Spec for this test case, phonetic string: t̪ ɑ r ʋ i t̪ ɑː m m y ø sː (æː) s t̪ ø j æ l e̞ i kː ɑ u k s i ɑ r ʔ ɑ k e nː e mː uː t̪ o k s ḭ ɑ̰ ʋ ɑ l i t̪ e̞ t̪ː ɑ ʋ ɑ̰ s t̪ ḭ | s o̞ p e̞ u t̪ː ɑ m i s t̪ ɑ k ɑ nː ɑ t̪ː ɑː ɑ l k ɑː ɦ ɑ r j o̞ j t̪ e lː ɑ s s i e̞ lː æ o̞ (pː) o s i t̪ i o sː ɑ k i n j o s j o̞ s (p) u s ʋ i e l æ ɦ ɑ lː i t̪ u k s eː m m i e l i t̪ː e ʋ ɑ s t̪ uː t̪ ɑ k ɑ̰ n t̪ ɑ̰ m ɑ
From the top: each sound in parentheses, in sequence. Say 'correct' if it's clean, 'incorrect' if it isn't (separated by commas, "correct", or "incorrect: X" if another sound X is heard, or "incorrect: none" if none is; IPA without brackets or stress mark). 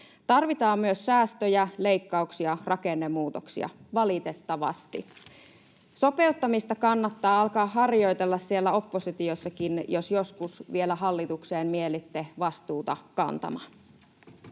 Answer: correct, correct, incorrect: k